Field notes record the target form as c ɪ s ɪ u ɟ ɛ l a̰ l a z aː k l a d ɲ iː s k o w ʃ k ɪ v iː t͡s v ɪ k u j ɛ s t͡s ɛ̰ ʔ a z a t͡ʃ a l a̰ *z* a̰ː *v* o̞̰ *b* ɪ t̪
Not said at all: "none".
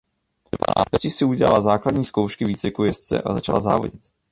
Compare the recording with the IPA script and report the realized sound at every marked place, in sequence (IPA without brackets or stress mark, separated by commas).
z, v, ɟ